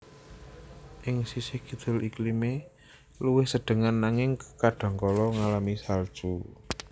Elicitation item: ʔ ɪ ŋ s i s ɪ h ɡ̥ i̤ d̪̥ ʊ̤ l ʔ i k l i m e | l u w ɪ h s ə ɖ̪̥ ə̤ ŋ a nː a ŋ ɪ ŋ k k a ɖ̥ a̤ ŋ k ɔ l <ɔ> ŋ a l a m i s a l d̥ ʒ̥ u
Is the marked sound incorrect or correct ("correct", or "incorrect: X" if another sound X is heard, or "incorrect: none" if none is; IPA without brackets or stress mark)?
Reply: correct